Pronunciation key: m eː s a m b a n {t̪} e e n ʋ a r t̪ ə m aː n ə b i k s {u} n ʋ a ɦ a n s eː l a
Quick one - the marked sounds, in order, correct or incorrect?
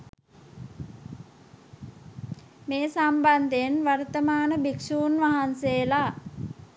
incorrect, incorrect

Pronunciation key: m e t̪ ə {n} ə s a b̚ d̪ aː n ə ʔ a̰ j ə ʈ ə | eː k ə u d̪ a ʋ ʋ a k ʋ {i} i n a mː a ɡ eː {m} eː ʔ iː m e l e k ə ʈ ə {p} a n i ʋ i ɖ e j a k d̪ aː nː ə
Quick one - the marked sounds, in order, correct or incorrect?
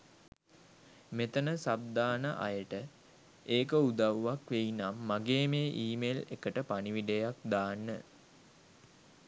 correct, incorrect, correct, correct

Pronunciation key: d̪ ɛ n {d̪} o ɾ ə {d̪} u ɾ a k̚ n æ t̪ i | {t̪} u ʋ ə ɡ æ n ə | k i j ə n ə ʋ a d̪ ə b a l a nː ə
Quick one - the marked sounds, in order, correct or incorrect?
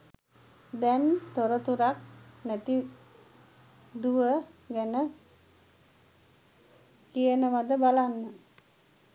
incorrect, incorrect, incorrect

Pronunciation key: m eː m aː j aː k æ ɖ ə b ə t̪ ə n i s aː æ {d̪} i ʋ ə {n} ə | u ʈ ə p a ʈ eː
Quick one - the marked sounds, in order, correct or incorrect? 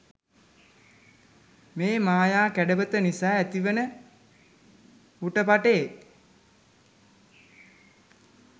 incorrect, correct

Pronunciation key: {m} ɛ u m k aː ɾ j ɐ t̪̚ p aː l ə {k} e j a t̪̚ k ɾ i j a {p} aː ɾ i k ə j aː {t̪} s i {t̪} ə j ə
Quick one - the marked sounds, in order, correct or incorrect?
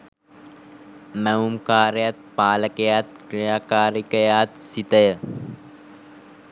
correct, correct, incorrect, correct, correct

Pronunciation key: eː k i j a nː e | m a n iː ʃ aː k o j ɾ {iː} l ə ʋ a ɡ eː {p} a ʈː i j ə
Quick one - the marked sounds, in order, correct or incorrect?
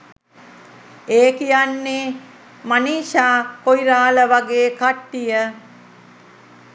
incorrect, incorrect

